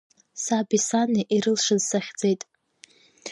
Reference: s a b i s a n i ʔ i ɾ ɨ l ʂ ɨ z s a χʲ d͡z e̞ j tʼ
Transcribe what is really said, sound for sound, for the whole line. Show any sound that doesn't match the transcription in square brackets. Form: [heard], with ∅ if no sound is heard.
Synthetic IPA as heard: s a b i s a n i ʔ i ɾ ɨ l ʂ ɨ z s a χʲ d͡z e̞ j tʼ

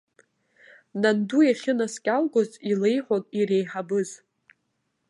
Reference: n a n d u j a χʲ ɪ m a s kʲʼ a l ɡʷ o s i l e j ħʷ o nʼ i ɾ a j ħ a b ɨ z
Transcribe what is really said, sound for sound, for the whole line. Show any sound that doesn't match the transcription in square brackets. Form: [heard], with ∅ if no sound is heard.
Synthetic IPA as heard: n a n d u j a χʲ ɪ [n] a s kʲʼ a l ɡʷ o [z] i l e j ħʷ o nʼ i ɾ [e] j ħ a b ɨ z

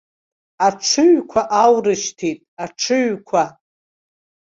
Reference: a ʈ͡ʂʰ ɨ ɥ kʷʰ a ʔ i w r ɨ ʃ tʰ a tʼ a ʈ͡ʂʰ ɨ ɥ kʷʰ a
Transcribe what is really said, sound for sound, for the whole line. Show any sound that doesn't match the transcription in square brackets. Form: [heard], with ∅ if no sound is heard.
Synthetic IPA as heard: a ʈ͡ʂʰ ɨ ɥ kʷʰ a ʔ [a] w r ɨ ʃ tʰ [i] tʼ a ʈ͡ʂʰ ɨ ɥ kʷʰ a

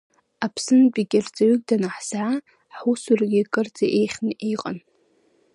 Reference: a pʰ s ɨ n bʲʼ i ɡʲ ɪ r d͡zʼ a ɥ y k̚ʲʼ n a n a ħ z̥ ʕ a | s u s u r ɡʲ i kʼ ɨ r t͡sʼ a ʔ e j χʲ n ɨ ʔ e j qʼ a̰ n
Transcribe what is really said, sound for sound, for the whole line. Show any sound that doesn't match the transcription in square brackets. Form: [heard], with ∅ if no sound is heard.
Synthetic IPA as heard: a pʰ s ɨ n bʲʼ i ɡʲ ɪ r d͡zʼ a ɥ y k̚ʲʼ [d] a n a ħ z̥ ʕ a | [ħ] u s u r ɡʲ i kʼ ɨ r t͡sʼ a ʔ e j χʲ n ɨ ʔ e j qʼ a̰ n

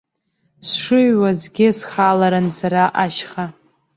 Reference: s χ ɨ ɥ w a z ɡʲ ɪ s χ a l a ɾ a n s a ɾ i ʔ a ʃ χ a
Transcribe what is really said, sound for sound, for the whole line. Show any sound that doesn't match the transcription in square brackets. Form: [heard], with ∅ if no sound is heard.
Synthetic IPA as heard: s [ʂ] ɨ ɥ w a z ɡʲ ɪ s χ a l a ɾ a n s a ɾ [a] ʔ a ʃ χ a

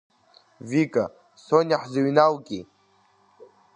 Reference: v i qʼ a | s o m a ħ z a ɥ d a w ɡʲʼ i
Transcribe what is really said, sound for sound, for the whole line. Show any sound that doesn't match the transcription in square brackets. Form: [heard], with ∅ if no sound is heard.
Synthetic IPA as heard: v i [kʼ] a | s o [n] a ħ z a ɥ [n] a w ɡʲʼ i

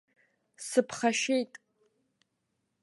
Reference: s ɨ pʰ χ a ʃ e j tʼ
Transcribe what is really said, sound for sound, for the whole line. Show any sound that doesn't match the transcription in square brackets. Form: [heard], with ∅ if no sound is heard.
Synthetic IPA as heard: s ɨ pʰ χ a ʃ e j tʼ

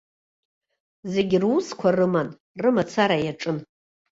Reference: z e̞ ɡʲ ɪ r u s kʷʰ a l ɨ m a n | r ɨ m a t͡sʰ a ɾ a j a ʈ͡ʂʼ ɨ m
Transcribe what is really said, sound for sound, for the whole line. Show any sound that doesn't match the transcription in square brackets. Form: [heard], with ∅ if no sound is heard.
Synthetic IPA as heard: z e̞ ɡʲ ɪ r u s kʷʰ a [r] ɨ m a n | r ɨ m a t͡sʰ a ɾ a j a ʈ͡ʂʼ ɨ [n]

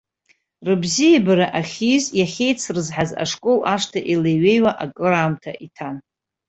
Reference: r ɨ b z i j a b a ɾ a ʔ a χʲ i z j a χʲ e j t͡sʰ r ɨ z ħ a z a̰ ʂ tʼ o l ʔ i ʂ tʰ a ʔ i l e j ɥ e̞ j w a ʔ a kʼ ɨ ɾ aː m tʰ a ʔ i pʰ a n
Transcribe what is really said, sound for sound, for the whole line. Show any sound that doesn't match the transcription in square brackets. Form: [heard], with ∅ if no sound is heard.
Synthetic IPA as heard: r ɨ b z i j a b a ɾ a ʔ a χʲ i z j a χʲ e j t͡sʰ r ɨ z ħ a z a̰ ʂ [kʼ] o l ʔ [a] ʂ tʰ a ʔ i l e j ɥ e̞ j w a ʔ a kʼ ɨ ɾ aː m tʰ a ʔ i [tʰ] a n

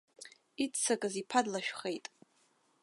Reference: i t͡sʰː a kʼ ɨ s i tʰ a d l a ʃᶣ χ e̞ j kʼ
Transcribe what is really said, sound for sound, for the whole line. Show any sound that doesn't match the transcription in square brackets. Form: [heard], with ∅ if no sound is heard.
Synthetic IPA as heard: i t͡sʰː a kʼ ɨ [z] i [pʰ] a d l a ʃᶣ χ e̞ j [tʼ]

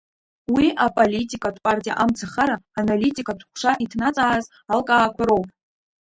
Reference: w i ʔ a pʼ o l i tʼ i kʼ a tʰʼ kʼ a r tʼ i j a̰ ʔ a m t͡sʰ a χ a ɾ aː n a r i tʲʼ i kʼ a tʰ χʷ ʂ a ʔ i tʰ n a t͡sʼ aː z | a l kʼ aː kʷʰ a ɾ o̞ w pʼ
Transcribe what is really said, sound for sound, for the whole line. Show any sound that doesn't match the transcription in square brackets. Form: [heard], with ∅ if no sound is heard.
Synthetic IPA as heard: w i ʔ a pʼ o l i tʼ i kʼ a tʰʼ [pʼ] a r tʼ i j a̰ ʔ a m t͡sʰ a χ a ɾ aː n a [l] i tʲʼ i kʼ a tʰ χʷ ʂ a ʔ i tʰ n a t͡sʼ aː z | a l kʼ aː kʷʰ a ɾ o̞ w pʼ

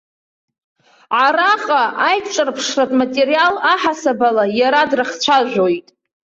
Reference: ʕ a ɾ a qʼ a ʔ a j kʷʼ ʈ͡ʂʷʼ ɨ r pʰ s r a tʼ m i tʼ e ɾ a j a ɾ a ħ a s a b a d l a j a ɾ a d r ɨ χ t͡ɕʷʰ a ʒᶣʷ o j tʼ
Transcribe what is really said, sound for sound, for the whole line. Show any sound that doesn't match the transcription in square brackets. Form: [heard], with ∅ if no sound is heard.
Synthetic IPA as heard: ʕ a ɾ a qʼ a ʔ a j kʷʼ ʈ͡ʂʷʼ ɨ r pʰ [ʂ] r a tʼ m [a] tʼ e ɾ [i] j a [l] a ħ a s a b a [∅] l a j a ɾ a d r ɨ χ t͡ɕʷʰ a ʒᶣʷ o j tʼ

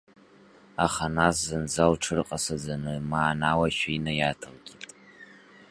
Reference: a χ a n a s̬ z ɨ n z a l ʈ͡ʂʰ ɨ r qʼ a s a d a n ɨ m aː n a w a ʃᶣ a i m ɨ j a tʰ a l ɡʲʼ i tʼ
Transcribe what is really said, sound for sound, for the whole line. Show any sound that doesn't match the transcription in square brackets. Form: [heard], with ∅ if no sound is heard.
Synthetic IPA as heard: a χ a n a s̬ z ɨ n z a l ʈ͡ʂʰ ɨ r qʼ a s a [d͡z] a n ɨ m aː n a w a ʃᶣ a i [n] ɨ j a tʰ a l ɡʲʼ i tʼ

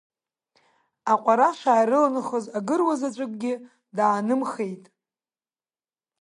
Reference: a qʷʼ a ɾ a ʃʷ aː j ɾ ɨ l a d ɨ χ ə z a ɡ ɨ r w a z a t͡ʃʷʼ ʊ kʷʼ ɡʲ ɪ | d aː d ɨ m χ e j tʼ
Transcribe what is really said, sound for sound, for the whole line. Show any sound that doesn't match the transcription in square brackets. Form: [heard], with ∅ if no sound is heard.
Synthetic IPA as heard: a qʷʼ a ɾ a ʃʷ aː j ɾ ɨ l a [n] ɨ χ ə z a ɡ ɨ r w a z a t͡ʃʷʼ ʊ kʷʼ ɡʲ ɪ | d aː [n] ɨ m χ e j tʼ

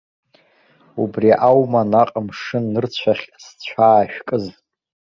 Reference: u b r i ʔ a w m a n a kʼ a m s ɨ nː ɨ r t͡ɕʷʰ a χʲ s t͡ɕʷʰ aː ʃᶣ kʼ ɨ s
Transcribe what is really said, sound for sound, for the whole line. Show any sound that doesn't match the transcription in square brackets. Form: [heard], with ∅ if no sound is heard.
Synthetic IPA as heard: u b r i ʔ a w m a n a [qʼ] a m [ʂ] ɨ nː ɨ r t͡ɕʷʰ a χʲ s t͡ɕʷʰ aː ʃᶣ kʼ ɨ [z]

